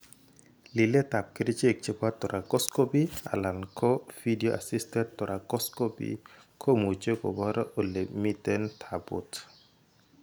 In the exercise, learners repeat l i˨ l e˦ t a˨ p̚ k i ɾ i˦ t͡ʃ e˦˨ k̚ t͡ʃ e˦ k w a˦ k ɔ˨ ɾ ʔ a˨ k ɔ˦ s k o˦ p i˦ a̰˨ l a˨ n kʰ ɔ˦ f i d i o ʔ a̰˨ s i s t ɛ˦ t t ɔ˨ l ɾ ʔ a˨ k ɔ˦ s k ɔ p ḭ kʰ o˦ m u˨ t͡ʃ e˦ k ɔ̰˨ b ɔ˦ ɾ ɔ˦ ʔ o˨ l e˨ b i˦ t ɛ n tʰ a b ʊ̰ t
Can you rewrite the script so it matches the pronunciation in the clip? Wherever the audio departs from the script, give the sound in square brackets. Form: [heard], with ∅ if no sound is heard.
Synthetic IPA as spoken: l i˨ l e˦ t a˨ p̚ k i ɾ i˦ t͡ʃ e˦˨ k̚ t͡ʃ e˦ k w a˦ [t] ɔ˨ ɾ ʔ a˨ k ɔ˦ s k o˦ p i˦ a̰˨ l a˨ n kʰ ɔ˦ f i d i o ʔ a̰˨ s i s t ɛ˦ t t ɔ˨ [∅] ɾ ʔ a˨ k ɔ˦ s k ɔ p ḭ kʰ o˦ m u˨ t͡ʃ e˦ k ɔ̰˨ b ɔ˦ ɾ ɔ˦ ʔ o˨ l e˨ [m] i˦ t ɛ n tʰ a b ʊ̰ t